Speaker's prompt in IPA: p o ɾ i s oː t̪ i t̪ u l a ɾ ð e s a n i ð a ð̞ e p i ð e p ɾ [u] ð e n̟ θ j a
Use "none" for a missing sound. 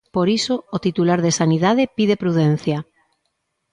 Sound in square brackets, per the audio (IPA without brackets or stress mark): u